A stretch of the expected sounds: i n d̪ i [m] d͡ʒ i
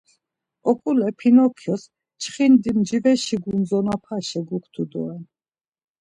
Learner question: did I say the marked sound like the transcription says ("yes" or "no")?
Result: yes